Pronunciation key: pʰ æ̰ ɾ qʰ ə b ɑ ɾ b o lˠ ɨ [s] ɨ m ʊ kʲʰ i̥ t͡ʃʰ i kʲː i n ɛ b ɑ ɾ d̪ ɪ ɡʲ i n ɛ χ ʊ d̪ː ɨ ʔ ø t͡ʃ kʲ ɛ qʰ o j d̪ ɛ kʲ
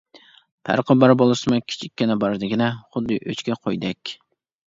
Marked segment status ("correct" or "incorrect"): correct